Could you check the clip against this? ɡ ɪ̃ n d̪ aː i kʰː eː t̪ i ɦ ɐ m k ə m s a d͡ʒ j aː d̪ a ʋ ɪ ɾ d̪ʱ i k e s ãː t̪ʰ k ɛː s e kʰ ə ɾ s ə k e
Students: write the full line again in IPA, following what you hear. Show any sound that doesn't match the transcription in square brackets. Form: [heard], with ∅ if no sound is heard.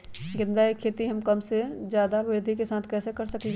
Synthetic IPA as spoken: ɡ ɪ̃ n d̪ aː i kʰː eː t̪ i ɦ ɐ m k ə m s [e] d͡ʒ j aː d̪ a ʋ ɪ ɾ d̪ʱ i k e s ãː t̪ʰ k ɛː s e [k] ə ɾ s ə k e